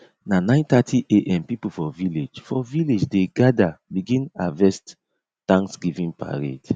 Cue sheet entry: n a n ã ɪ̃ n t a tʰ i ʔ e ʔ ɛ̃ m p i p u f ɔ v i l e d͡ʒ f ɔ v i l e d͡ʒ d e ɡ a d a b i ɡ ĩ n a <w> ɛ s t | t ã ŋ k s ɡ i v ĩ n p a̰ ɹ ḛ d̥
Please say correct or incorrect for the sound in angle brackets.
incorrect